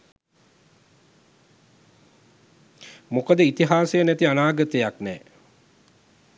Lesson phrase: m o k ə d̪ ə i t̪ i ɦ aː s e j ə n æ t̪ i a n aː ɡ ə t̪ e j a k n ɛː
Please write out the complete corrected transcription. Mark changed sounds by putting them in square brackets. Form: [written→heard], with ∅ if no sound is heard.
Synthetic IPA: m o k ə d̪ ə i t̪ i ɦ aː s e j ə n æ t̪ i a n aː ɡ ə t̪ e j a k n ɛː